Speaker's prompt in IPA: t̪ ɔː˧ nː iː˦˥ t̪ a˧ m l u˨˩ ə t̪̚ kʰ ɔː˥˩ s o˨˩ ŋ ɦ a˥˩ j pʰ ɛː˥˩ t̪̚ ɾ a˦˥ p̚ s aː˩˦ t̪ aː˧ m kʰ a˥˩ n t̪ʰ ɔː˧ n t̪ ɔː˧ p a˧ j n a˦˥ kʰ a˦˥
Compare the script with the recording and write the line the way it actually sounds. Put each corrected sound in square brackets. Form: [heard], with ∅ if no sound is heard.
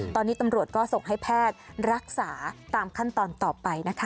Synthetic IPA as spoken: t̪ ɔː˧ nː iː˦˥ t̪ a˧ m [ɾ] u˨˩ ə t̪̚ [k] ɔː˥˩ s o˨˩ ŋ ɦ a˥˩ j pʰ ɛː˥˩ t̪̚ ɾ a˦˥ [k̚] s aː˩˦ t̪ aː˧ m kʰ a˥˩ n [t̪] ɔː˧ n t̪ [ɔː˨˩] p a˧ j n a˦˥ kʰ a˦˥